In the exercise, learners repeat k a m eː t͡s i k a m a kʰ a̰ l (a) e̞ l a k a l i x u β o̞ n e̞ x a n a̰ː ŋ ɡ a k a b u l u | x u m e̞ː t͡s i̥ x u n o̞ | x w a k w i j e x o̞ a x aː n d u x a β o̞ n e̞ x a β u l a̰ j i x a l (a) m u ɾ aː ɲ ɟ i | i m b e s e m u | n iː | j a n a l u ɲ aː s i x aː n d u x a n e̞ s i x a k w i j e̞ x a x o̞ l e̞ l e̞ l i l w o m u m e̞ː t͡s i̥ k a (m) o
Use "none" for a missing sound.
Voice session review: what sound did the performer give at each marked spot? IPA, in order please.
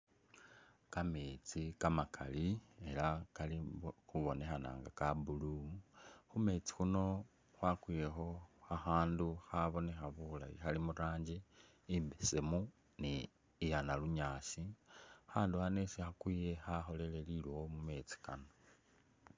i, i, n

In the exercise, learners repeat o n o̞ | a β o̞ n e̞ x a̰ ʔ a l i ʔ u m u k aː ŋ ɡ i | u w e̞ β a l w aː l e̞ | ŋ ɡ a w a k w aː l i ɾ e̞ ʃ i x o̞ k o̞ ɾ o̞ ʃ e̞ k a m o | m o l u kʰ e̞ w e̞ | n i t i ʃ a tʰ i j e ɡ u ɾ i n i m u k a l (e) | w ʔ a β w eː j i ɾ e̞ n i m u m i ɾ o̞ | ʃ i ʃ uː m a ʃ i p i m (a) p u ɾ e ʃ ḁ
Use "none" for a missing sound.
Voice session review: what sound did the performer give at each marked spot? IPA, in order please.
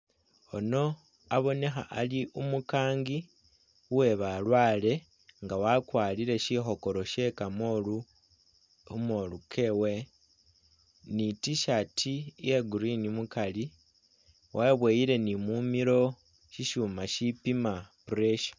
i, a

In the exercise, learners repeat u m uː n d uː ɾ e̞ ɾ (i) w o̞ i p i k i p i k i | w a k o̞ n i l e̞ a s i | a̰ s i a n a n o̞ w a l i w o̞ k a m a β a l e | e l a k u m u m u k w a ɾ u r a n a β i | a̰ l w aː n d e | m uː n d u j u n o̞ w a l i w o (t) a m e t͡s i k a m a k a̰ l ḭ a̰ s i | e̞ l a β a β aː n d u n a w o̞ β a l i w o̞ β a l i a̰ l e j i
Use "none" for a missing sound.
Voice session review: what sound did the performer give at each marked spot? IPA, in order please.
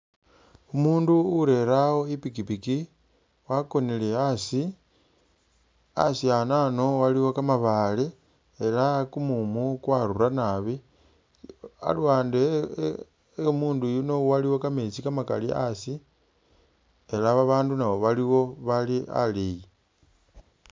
a, k

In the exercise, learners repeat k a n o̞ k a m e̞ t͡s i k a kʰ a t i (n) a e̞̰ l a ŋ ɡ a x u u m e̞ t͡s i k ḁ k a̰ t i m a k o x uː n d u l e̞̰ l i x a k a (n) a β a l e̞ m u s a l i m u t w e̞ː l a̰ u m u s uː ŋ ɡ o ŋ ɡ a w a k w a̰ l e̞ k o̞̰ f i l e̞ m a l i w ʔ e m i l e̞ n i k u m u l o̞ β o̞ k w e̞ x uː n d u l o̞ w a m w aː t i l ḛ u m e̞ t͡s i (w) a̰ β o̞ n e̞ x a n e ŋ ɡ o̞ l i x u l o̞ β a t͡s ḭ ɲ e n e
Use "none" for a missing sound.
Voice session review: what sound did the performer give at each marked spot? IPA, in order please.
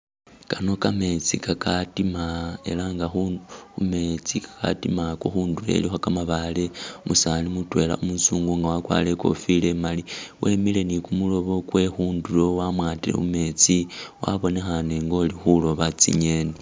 m, m, w

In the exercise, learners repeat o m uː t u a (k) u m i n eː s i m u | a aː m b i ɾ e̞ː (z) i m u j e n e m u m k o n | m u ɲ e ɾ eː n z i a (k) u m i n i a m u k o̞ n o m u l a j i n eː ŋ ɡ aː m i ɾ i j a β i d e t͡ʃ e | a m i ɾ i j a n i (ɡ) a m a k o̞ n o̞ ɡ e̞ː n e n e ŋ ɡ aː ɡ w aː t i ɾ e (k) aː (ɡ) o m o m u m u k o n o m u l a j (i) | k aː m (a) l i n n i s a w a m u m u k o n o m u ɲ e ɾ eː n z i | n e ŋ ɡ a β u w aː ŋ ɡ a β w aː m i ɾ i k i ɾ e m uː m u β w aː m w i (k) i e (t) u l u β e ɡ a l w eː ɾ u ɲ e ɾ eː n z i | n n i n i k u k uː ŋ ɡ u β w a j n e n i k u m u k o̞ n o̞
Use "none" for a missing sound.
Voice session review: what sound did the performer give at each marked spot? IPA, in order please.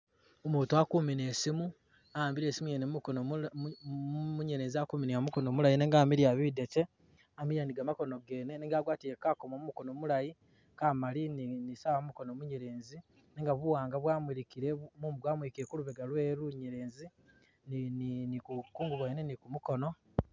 k, s, k, ɡ, k, k, i, a, k, k

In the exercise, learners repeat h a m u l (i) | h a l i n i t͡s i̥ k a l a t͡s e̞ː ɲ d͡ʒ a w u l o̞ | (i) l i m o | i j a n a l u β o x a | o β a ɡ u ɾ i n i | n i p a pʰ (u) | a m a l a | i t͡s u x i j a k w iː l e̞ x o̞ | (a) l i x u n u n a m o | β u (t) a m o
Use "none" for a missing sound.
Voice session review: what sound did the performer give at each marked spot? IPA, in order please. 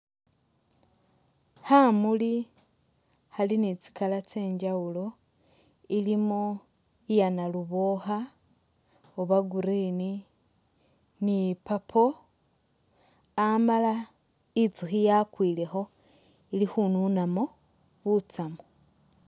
i, i, o, i, t͡s

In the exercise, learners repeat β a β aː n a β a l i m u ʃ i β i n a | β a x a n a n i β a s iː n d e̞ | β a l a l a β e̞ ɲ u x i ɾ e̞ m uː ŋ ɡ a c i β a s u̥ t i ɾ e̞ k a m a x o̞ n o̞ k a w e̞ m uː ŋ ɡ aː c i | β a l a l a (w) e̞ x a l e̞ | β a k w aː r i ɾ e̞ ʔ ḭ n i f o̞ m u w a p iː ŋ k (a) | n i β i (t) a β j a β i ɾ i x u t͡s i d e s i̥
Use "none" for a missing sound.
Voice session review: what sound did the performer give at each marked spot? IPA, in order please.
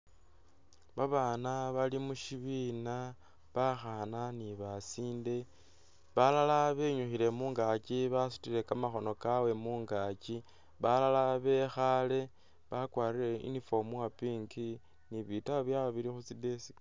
β, i, t

